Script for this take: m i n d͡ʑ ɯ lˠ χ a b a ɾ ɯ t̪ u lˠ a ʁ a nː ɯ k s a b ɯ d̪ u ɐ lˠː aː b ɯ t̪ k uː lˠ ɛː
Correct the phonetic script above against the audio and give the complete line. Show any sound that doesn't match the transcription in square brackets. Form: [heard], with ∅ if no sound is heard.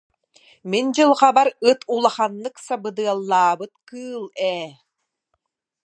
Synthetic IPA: m i n d͡ʑ ɯ lˠ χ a b a ɾ ɯ t̪ u lˠ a [χ] a nː ɯ k s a b ɯ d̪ [ɯ] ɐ lˠː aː b ɯ t̪ k [ɯː] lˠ ɛː